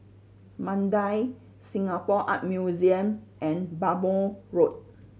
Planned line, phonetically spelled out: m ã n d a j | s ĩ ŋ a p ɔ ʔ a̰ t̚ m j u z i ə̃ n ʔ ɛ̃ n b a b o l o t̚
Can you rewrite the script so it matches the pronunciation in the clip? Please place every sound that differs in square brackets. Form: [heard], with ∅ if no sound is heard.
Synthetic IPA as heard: m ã n d a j | s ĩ ŋ a p ɔ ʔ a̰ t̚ m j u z i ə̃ [m] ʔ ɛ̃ n b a b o [ɹ] o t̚